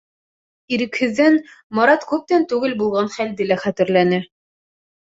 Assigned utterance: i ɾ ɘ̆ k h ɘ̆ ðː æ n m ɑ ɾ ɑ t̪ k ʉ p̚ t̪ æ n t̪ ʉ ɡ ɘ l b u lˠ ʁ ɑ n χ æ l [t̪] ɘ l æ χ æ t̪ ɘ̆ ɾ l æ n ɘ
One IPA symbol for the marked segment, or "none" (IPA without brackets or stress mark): d̪